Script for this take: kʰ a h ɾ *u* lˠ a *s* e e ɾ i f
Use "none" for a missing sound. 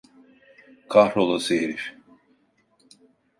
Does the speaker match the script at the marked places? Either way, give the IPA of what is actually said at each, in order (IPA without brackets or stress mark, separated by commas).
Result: o, s